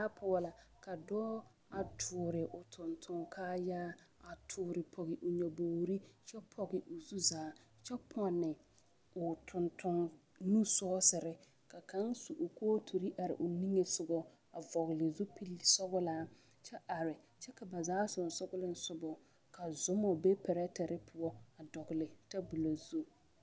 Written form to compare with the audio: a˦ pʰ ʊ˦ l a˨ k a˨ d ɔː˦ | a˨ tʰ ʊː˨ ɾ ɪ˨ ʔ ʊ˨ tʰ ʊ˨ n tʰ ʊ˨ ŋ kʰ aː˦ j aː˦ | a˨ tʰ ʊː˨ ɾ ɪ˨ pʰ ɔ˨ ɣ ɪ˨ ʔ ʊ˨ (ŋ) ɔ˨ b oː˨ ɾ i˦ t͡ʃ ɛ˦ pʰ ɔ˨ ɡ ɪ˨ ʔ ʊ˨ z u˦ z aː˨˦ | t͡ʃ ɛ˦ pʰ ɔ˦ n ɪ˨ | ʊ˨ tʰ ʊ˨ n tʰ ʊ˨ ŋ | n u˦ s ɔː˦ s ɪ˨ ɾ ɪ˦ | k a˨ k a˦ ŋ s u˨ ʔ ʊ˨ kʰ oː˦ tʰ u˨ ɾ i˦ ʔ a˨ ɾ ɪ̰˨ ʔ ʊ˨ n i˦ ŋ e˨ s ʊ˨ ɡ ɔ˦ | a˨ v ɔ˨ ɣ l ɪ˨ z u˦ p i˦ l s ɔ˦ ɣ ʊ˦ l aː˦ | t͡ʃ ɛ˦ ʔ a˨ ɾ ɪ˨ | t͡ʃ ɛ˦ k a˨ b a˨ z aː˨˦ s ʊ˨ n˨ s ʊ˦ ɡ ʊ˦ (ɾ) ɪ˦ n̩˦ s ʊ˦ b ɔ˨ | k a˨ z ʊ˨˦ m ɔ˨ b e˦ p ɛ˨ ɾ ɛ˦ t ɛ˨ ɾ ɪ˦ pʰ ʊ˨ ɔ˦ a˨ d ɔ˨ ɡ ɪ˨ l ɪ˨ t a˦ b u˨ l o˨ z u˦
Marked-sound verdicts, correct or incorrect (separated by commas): incorrect, incorrect